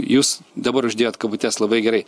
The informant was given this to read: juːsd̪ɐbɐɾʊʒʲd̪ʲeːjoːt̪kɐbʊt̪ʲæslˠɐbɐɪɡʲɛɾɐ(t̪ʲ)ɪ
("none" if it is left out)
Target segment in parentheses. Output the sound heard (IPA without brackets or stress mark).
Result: none